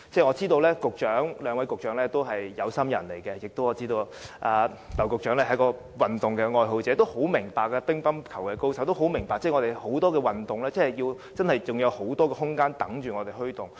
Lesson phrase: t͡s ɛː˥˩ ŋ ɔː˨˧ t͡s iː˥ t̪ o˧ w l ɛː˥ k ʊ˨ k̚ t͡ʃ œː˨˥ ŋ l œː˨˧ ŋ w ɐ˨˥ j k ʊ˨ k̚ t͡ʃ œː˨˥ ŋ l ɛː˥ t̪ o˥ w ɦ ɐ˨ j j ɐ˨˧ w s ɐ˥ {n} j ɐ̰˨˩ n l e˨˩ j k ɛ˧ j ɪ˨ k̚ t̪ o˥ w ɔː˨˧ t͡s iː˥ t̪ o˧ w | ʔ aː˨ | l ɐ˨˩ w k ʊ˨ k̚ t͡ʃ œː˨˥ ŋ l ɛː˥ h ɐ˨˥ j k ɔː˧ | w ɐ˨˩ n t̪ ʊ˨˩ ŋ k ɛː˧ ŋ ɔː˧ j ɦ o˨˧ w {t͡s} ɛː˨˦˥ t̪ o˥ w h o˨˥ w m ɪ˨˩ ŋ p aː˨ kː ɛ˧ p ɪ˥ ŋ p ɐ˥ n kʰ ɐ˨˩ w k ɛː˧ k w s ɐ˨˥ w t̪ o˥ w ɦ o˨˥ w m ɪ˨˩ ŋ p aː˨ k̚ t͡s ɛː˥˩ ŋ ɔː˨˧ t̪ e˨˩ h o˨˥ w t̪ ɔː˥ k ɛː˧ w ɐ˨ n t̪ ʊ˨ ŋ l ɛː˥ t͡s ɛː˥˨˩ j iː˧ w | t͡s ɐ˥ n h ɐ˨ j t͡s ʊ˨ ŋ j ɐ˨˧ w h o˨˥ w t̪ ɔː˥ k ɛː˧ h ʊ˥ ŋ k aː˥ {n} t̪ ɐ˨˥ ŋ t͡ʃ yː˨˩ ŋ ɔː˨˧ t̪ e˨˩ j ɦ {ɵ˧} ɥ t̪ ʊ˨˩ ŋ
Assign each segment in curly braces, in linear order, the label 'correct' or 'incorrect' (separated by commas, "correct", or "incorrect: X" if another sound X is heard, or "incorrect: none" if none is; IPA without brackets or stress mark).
incorrect: m, correct, correct, incorrect: ɵ˥